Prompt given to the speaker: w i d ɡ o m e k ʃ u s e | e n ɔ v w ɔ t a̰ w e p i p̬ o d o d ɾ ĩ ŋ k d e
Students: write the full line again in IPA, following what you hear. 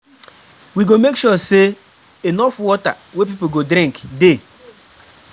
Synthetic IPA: w i ɡ o m e k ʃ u s e | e n ɔ f w ɔ t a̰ w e p i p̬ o ɡ o d ɾ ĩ ŋ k d e